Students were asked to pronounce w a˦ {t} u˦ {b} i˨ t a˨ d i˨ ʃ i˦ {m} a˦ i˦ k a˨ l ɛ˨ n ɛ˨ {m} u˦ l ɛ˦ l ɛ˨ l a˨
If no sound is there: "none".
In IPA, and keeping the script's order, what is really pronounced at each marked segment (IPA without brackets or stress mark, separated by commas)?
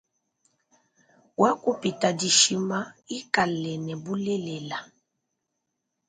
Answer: k, p, m, b